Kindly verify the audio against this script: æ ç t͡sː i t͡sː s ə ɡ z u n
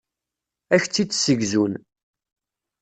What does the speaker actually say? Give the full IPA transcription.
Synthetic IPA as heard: æ ç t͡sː i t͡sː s ə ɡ z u n